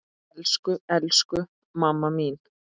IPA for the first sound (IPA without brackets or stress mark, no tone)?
l